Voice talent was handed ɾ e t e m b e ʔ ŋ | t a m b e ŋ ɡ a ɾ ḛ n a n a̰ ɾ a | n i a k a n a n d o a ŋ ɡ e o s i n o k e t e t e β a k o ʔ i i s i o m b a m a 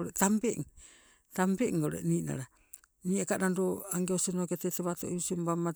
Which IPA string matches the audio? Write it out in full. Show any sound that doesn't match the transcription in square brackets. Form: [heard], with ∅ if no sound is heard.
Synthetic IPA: ɾ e t [a] m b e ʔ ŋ | t a m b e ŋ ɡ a ɾ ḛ n [i] n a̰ ɾ a | n i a k a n a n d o a ŋ ɡ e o s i n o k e t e t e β a [t] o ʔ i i s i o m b a m a